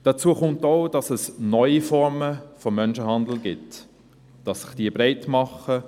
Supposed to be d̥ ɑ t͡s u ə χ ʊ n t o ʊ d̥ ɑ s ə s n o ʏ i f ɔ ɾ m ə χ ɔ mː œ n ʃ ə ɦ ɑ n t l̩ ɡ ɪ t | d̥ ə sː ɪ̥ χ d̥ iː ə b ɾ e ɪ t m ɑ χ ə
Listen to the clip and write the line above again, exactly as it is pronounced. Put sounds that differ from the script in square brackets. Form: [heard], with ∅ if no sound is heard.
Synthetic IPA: d̥ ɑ t͡s u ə χ ʊ n t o ʊ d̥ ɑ s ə s n [ɔ] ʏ i f ɔ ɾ m ə [f] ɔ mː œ n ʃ ə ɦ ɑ n [d] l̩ ɡ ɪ t | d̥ [ɑ] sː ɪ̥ χ d̥ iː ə b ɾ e ɪ t m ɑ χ ə